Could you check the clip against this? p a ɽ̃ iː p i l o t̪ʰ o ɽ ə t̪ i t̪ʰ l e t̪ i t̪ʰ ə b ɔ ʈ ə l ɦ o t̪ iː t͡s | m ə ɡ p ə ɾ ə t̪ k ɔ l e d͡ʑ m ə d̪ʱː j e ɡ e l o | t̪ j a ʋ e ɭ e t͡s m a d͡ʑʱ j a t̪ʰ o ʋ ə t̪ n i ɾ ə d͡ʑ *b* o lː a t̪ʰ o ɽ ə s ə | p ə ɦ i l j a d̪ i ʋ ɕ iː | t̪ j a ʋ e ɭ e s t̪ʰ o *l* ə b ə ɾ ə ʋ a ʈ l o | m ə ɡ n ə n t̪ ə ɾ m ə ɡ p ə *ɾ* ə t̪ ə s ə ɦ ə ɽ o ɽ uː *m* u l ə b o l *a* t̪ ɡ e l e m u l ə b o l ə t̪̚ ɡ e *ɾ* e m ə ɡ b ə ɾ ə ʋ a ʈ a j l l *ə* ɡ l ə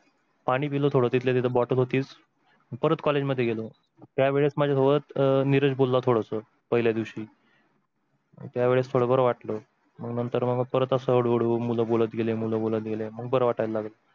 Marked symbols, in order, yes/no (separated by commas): yes, no, yes, yes, no, no, no